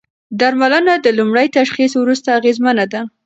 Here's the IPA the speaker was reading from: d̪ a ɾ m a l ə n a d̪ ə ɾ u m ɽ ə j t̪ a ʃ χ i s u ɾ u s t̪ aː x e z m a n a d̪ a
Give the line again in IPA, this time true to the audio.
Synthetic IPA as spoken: d̪ a ɾ m a l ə n a d̪ ə l u m ɽ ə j t̪ a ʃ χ i s w ɾ u s t̪ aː ɣ e z m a n a d̪ a